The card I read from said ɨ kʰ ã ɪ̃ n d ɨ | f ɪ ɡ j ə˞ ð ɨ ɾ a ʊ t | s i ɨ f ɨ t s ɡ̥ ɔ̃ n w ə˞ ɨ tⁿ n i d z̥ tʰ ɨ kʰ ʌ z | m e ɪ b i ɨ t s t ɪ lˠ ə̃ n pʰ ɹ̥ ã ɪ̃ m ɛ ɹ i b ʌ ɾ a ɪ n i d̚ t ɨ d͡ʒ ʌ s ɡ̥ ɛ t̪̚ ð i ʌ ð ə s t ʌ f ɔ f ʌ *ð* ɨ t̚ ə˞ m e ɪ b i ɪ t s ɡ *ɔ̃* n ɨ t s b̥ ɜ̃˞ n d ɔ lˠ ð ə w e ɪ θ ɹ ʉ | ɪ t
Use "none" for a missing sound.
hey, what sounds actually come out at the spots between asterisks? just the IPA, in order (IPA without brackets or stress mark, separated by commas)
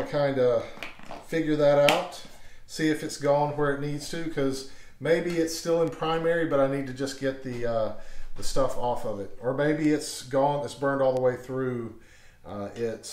v, ɔ̃